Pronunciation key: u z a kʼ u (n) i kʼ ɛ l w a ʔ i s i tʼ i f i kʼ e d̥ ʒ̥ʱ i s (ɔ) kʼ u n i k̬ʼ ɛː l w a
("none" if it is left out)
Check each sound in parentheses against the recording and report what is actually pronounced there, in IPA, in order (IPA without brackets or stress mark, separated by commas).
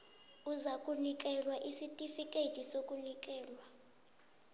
n, o